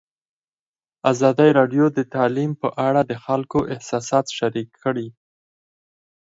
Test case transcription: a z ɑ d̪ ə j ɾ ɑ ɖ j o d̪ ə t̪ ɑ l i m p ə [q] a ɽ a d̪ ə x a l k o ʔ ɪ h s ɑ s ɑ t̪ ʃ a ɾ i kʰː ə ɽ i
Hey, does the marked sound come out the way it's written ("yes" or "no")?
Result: no